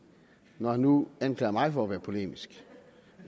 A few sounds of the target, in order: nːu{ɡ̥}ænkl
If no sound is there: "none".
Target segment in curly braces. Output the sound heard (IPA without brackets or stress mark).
none